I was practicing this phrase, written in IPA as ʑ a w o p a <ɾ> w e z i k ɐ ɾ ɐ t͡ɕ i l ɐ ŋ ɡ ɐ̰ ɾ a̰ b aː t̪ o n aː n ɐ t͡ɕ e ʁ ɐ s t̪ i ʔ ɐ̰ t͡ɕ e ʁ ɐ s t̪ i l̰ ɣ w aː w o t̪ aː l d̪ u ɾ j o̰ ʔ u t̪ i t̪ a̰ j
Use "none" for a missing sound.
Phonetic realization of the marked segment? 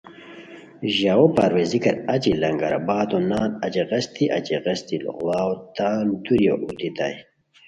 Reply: ɾ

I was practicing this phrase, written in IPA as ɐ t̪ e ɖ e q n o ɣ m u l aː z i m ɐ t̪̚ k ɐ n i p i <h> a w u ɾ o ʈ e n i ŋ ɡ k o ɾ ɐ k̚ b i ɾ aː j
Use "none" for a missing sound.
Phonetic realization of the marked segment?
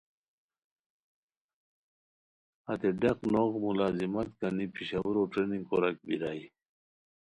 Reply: ɕ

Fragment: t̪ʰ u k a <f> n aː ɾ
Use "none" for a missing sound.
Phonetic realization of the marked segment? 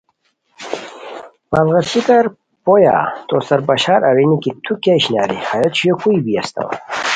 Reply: ɕ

